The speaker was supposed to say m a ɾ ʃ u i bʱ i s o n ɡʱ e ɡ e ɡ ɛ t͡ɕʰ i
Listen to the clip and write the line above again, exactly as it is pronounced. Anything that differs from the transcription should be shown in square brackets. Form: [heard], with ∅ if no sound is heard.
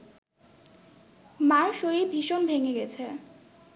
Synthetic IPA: m a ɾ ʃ [o] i bʱ i [ʃ] o n [bʱ] e [ŋ] e ɡ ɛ t͡ɕʰ [e]